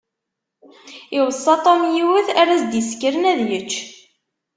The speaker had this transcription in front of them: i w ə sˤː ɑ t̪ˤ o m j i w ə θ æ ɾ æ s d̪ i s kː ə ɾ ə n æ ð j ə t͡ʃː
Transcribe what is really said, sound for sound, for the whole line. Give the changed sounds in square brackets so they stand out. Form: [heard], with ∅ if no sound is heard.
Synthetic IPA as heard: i w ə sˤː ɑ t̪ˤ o m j i w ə θ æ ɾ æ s d̪ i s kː ə ɾ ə n æ ð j ə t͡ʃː